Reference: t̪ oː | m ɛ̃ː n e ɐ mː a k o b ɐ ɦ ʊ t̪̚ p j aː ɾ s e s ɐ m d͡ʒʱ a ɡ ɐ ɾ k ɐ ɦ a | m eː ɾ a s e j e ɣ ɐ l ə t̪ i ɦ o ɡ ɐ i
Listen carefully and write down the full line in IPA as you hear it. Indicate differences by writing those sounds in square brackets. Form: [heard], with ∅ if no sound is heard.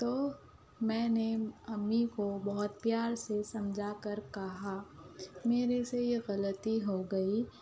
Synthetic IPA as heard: t̪ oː | m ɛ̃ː n e ɐ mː [i] k o b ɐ ɦ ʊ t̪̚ p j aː ɾ s e s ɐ m d͡ʒʱ a [k] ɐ ɾ k ɐ ɦ a | m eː ɾ [e] s e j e ɣ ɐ l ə t̪ i ɦ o ɡ ɐ i

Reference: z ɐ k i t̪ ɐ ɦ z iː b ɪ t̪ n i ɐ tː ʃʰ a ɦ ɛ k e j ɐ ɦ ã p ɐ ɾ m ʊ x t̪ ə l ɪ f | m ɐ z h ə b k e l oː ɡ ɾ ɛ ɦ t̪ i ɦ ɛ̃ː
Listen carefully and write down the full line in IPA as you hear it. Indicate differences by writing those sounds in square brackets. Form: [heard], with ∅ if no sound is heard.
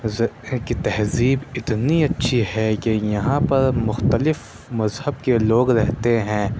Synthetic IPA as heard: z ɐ k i t̪ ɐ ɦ z iː b ɪ t̪ n i ɐ tː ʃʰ [i] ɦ ɛ k e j ɐ ɦ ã p ɐ ɾ m ʊ x t̪ ə l ɪ f | m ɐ z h ə b k e l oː ɡ ɾ ɛ ɦ t̪ [e] ɦ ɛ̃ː

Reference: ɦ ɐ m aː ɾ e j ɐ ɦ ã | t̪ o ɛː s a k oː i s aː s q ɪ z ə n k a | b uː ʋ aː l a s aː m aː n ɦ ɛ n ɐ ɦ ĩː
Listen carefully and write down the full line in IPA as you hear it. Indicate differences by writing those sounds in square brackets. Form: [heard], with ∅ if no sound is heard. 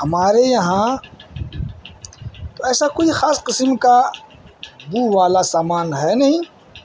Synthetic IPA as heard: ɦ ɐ m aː ɾ e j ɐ ɦ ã | t̪ o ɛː s a k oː i [x] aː s q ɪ [s] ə [m] k a | b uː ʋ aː l a s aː m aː n ɦ ɛ n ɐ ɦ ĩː

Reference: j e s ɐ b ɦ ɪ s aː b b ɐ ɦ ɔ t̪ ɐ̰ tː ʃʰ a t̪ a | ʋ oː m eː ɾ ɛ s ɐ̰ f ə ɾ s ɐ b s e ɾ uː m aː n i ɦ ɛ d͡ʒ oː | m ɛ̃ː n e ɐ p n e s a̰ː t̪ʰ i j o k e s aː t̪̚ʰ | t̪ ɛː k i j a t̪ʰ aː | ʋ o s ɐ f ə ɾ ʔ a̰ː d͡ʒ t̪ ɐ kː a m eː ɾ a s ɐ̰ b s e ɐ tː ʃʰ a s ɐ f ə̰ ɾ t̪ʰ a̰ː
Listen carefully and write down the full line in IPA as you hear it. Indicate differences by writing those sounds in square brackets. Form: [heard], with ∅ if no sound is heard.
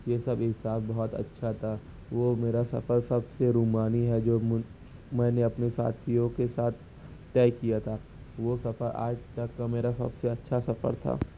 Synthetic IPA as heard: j e s ɐ b ɦ ɪ s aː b b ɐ ɦ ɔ t̪ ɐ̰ tː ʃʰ a [t̪ʰ] a | ʋ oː m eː ɾ [a] s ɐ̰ f ə ɾ s ɐ b s e ɾ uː m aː n i ɦ ɛ d͡ʒ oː | m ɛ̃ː n e ɐ p n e s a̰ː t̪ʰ i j [õ] k e s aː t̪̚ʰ | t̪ ɛː k i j a t̪ʰ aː | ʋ o s ɐ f ə ɾ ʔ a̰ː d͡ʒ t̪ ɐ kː a m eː ɾ a s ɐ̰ b s e ɐ tː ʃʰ a s ɐ f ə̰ ɾ t̪ʰ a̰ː

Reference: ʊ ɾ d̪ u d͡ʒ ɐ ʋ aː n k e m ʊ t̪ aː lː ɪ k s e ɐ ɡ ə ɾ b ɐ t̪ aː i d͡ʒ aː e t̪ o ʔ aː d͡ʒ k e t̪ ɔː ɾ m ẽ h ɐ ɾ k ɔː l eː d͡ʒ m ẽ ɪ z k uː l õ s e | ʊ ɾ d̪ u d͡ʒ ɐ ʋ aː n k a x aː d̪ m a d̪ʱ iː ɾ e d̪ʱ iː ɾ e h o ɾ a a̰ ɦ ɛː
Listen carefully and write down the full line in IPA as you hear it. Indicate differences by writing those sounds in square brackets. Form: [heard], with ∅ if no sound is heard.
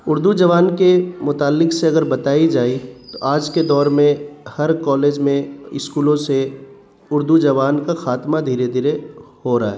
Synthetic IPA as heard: ʊ ɾ d̪ u d͡ʒ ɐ ʋ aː n k e m ʊ t̪ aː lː ɪ k s e ɐ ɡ ə ɾ b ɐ t̪ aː i d͡ʒ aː [i] t̪ o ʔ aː d͡ʒ k e [d̪] ɔː ɾ m ẽ h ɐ ɾ k ɔː l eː d͡ʒ m ẽ ɪ [s] k uː l õ s e | ʊ ɾ d̪ u d͡ʒ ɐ ʋ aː n k a x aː [t̪] m a d̪ʱ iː ɾ e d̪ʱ iː ɾ e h o ɾ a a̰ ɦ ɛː

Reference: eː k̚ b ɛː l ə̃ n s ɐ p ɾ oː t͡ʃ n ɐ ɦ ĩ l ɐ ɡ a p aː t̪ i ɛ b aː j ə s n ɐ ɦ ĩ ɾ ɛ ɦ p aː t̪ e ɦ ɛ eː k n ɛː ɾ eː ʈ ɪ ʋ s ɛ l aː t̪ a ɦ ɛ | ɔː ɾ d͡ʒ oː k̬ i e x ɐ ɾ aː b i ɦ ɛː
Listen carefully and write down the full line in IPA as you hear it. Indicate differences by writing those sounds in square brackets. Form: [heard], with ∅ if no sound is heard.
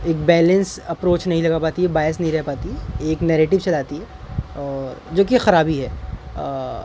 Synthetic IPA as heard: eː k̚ b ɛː l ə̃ n s ɐ p ɾ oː t͡ʃ n ɐ ɦ ĩ l ɐ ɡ a p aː t̪ i ɛ b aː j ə s n ɐ ɦ ĩ ɾ ɛ ɦ p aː t̪ [i] ɦ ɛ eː k n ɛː ɾ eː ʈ ɪ ʋ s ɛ l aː t̪ [i] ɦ ɛ | ɔː ɾ d͡ʒ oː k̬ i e x ɐ ɾ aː b i ɦ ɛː

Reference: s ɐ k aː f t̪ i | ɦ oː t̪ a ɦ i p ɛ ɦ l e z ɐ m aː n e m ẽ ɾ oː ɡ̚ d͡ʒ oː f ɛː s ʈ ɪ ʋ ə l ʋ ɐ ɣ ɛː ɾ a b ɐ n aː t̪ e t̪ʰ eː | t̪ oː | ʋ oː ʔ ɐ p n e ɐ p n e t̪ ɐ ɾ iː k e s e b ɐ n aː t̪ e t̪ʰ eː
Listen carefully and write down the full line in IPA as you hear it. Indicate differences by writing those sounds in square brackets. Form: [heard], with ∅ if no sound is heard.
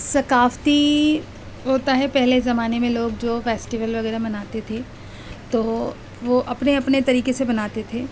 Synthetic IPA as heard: s ɐ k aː f t̪ i | ɦ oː t̪ a ɦ [ɛ] p ɛ ɦ l e z ɐ m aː n e m ẽ [l] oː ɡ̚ d͡ʒ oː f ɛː s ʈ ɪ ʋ ə l ʋ ɐ ɣ ɛː ɾ a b ɐ n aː t̪ e t̪ʰ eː | t̪ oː | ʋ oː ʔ ɐ p n e ɐ p n e t̪ ɐ ɾ iː k e s e b ɐ n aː t̪ e t̪ʰ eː

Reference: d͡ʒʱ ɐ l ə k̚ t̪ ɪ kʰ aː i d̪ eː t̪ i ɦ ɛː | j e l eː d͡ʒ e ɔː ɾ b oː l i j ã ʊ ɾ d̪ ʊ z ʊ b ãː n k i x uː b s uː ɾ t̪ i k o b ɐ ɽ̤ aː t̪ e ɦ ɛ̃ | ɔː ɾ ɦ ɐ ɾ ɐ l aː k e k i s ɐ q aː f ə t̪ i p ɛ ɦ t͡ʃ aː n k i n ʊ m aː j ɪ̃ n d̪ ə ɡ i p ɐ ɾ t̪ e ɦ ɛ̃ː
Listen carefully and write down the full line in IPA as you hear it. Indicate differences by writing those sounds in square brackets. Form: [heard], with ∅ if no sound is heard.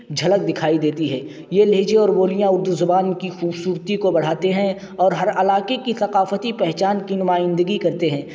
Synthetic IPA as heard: d͡ʒʱ ɐ l ə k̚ [d̪] ɪ kʰ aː i d̪ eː t̪ i ɦ ɛː | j e l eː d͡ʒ e ɔː ɾ b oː l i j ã ʊ ɾ d̪ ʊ z ʊ b [aː] n k i x uː b s uː ɾ t̪ i k o b ɐ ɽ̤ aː t̪ e ɦ ɛ̃ | ɔː ɾ ɦ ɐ ɾ ɐ l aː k e k i s ɐ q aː f ə t̪ i p ɛ ɦ t͡ʃ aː n k i n ʊ m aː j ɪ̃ n d̪ ə ɡ i [k] ɐ ɾ t̪ e ɦ ɛ̃ː

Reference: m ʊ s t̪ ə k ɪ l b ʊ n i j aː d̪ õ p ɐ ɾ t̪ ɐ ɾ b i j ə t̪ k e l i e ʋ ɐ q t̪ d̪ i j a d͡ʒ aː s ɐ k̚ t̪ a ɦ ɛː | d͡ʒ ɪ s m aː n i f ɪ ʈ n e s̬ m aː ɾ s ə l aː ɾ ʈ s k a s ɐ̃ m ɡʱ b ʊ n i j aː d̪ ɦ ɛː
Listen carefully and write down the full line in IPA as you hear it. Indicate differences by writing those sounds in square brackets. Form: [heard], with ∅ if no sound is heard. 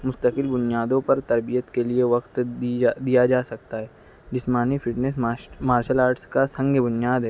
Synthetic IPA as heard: m ʊ s t̪ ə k ɪ l b ʊ n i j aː d̪ õ p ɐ ɾ t̪ ɐ ɾ b i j ə t̪ k e l i e ʋ ɐ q t̪ d̪ i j a d͡ʒ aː s ɐ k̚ t̪ a ɦ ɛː | d͡ʒ ɪ s m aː n i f ɪ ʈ n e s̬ m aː ɾ [ʃ] ə l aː ɾ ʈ s k a s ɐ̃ [ŋ] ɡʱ b ʊ n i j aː d̪ ɦ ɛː

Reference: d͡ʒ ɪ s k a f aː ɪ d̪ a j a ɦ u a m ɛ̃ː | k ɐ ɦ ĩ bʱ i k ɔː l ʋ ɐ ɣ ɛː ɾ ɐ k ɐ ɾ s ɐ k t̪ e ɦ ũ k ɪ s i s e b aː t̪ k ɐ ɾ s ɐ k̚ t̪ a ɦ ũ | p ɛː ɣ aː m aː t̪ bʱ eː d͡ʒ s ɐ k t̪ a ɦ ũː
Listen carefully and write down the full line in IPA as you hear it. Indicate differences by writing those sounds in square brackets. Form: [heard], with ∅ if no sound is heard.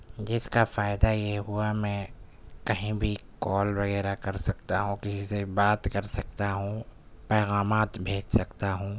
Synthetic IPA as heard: d͡ʒ ɪ s k a f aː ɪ d̪ a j [e] ɦ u a m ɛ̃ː | k ɐ ɦ ĩ bʱ i k ɔː l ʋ ɐ ɣ ɛː ɾ [a] k ɐ ɾ s ɐ k t̪ [a] ɦ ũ k ɪ s i s e b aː t̪ k ɐ ɾ s ɐ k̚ t̪ a ɦ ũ | p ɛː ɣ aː m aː t̪ bʱ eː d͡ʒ s ɐ k t̪ a ɦ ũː

